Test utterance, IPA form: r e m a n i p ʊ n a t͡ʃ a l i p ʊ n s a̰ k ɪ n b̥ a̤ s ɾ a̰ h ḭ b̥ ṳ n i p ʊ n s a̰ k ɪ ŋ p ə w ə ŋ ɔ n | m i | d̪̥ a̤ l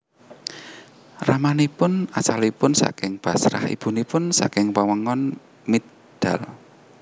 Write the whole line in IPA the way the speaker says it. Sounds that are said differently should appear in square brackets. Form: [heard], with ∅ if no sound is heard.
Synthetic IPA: r [a] m a n i p ʊ n a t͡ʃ a l i p ʊ n s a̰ k ɪ [ŋ] b̥ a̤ s ɾ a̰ h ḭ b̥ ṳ n i p ʊ n s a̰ k ɪ ŋ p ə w ə ŋ ɔ n | m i | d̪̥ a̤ l